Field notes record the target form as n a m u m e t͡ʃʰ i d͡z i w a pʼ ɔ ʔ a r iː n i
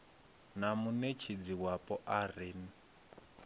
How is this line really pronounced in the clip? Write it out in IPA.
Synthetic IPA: n a m u n e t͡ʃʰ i d͡z i w a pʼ ɔ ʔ a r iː n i

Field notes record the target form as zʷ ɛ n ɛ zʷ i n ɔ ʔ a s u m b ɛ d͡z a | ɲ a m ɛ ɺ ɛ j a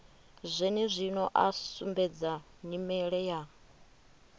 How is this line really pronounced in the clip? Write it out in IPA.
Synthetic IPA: zʷ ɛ n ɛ zʷ i n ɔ ʔ a s u m b ɛ d͡z a | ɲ i m ɛ ɺ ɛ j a

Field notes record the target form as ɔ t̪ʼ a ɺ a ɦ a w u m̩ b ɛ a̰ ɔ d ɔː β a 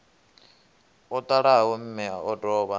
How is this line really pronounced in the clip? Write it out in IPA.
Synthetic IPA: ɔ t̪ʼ a ɺ a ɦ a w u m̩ m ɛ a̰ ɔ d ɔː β a

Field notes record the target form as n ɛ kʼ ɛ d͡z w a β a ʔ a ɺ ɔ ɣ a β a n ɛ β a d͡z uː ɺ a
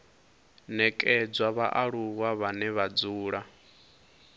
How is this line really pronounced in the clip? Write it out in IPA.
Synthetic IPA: n ɛ kʼ ɛ d͡z w a β a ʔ a ɺ u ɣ a β a n ɛ β a d͡z uː ɺ a

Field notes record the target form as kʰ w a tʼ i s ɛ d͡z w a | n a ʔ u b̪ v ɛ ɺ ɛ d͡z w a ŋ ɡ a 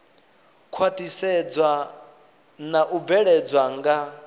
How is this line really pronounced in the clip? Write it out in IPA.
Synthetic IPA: kʰ w a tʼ i s ɛ d͡z w a | n a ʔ u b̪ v ɛ ɺ ɛ d͡z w a ŋ ɡ a

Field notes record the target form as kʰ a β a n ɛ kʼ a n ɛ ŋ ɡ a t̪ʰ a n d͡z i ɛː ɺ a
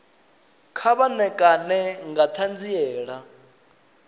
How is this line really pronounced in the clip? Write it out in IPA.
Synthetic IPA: kʰ a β a n ɛ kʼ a n ɛ ŋ ɡ a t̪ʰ a n d͡z i ɛː ɺ a

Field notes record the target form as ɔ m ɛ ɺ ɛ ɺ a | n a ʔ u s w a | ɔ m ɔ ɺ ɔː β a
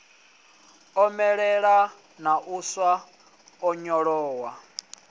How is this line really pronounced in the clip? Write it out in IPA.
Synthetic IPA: ɔ m ɛ ɺ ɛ ɺ a | n a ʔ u s w a | ɔ ɲ ɔ ɺ ɔː w a

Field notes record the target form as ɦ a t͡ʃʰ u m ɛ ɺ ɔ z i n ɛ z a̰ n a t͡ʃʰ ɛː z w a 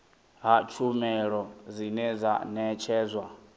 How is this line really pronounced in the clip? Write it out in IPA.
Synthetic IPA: ɦ a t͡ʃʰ u m ɛ ɺ ɔ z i n ɛ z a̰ n ɛ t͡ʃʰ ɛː z w a

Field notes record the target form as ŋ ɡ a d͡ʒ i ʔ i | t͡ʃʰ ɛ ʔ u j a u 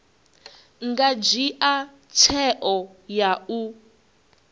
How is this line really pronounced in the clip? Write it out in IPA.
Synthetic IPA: ŋ ɡ a d͡ʒ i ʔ a | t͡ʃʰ ɛ ʔ ɔ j a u

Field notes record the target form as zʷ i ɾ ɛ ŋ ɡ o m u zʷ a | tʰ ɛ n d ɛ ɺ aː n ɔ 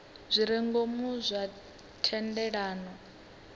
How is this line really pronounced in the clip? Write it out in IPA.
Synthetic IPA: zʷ i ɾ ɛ ŋ ɡ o m u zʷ a | tʰ ɛ n d ɛ ɺ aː n ɔ

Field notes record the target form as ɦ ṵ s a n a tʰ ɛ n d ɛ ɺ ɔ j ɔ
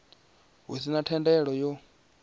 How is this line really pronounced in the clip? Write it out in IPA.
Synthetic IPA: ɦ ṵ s i n a tʰ ɛ n d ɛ ɺ ɔ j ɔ

